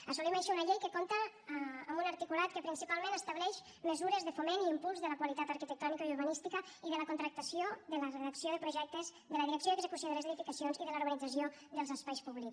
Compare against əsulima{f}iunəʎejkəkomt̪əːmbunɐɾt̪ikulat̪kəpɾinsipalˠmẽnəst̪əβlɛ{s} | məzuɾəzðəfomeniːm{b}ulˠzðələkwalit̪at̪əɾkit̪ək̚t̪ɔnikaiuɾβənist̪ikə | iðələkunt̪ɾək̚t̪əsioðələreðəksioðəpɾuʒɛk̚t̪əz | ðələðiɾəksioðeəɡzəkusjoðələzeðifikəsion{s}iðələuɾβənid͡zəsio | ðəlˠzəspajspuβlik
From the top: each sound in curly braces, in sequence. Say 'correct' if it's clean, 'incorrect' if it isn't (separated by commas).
incorrect, incorrect, incorrect, incorrect